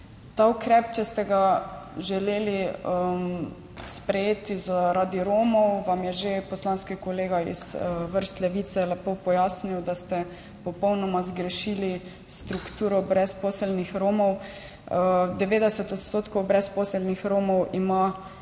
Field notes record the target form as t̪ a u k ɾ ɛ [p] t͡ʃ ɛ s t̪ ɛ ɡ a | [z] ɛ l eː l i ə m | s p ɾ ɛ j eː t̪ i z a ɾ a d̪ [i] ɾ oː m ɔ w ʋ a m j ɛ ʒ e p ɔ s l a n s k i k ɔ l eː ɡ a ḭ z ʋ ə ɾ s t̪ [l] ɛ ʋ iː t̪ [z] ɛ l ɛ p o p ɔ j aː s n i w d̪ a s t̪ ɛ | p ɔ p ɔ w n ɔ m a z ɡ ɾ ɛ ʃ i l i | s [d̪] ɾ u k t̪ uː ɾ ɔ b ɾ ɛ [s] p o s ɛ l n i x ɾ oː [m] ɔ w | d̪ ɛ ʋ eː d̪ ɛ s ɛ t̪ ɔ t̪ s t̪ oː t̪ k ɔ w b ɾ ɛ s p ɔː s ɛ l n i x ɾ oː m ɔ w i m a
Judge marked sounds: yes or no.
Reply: yes, no, yes, yes, no, no, yes, yes

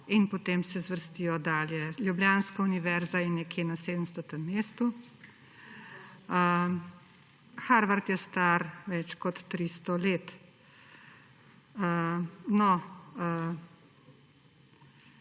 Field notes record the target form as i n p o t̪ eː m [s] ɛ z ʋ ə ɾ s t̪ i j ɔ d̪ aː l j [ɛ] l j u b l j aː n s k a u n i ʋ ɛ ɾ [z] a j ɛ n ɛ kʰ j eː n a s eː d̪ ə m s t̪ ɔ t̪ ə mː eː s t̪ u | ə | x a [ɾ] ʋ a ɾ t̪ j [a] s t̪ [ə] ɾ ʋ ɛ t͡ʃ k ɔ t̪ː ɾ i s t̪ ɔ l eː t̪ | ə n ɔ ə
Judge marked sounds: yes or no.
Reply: yes, yes, yes, yes, no, no

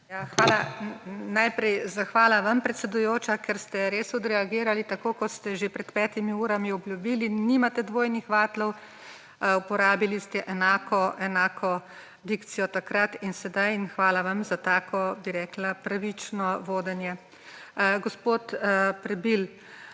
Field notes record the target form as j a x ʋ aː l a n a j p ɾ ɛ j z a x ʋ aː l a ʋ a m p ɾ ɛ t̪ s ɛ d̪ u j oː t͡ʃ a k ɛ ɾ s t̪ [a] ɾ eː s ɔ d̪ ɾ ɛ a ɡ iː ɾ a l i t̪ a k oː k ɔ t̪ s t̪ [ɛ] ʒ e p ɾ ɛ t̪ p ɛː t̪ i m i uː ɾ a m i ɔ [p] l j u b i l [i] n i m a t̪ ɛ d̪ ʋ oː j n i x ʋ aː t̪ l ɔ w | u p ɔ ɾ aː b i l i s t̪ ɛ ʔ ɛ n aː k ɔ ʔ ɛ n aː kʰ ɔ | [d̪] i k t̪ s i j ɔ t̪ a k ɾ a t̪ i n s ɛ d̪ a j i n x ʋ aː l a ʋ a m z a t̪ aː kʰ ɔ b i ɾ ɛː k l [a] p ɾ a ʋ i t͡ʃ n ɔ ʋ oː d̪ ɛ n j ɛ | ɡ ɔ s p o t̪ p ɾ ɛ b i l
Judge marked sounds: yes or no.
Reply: no, yes, no, yes, yes, yes

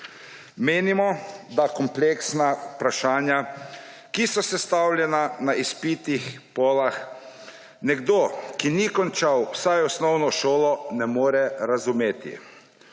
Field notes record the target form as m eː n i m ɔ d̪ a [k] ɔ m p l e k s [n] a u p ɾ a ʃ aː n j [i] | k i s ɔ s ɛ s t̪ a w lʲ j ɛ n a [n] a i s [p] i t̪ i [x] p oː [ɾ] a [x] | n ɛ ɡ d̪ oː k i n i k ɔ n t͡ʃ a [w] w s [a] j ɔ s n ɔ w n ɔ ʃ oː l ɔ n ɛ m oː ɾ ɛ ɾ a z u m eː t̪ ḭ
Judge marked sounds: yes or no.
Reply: yes, yes, no, yes, yes, yes, no, yes, yes, yes

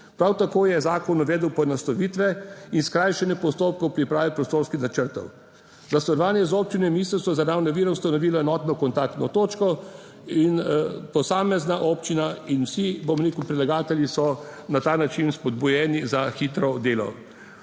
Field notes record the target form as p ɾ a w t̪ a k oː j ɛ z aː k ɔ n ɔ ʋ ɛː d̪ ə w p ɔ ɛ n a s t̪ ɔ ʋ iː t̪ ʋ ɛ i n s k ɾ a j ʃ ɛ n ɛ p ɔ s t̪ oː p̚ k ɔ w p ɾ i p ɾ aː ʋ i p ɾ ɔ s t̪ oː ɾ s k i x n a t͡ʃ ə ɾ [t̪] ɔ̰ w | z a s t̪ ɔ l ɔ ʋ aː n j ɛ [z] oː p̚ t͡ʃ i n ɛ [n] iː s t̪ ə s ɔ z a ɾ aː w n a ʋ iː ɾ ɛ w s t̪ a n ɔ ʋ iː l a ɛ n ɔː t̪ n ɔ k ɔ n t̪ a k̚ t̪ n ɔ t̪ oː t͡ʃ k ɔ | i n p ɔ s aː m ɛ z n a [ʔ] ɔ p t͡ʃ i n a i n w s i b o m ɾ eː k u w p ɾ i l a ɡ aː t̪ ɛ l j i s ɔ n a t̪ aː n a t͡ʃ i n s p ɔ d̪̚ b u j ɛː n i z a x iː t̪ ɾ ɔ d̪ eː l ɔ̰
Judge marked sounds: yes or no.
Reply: yes, yes, no, yes

